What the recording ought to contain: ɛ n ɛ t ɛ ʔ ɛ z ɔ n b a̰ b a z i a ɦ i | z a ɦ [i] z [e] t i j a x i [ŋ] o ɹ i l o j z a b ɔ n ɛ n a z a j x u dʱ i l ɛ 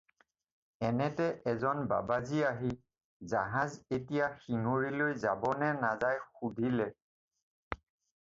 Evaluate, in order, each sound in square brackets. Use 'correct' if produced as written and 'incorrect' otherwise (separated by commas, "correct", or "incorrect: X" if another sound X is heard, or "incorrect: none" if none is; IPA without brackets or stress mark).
incorrect: a, correct, correct